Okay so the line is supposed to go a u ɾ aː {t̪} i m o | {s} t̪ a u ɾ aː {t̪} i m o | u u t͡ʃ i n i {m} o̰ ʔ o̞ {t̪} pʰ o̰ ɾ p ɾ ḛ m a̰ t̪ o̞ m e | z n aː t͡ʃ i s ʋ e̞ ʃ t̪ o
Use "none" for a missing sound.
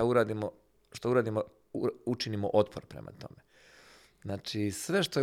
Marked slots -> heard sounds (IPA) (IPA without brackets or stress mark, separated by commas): d̪, ʃ, d̪, m, t̪